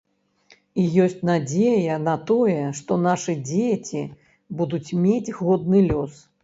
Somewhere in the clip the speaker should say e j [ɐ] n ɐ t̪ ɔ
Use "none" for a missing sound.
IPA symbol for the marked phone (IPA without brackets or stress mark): ɐ